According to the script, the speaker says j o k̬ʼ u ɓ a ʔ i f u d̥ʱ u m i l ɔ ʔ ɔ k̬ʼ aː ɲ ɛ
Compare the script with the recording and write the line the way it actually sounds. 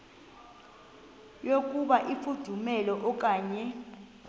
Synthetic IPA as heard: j o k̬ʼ u ɓ a ʔ i f u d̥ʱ u m ɛ l ɔ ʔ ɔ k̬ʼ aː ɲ ɛ